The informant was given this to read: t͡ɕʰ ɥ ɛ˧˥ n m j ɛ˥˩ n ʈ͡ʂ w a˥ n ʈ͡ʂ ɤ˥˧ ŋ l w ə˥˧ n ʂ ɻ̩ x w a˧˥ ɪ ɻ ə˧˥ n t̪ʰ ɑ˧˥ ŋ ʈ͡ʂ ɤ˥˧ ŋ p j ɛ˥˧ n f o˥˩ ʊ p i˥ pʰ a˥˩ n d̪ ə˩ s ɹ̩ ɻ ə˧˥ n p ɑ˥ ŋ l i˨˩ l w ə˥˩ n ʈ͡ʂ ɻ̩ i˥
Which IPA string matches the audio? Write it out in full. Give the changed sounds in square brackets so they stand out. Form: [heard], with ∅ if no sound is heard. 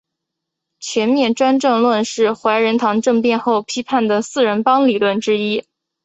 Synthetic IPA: t͡ɕʰ ɥ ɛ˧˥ n m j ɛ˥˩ n ʈ͡ʂ w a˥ n ʈ͡ʂ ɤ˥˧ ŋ l w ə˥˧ n ʂ ɻ̩ x w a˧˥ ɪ ɻ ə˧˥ n t̪ʰ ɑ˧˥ ŋ ʈ͡ʂ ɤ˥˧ ŋ p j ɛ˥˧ n [x] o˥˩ ʊ [pʰ] i˥ pʰ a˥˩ n d̪ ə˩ s ɹ̩ ɻ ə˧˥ n p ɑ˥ ŋ l i˨˩ l w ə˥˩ n ʈ͡ʂ ɻ̩ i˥